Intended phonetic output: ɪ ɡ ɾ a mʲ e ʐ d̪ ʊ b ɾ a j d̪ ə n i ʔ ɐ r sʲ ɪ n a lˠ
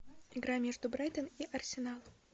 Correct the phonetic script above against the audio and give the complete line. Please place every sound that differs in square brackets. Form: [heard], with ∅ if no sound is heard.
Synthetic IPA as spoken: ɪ ɡ ɾ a mʲ e ʐ d̪ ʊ b ɾ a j [t̪] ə n i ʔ ɐ r sʲ ɪ n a lˠ